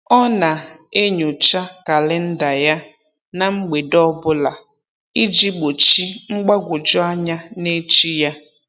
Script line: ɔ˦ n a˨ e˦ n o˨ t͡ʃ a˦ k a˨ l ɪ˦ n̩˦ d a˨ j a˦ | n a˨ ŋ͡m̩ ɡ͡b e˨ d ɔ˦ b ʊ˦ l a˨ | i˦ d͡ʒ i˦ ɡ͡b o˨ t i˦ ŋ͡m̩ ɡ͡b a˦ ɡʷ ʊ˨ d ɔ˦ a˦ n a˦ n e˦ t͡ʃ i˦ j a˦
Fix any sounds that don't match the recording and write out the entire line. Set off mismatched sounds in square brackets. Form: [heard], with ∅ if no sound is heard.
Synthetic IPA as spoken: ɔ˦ n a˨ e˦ [ɲ] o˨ t͡ʃ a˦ k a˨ l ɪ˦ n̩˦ d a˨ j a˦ | n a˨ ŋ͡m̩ ɡ͡b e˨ d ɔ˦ b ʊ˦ l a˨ | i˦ d͡ʒ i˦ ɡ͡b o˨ [t͡ʃ] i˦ ŋ͡m̩ ɡ͡b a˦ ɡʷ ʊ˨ [d͡ʒ] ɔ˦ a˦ [ɲ] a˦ n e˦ t͡ʃ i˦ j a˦